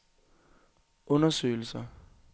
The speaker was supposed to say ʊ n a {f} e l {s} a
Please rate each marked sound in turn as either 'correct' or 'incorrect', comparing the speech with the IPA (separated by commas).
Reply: incorrect, correct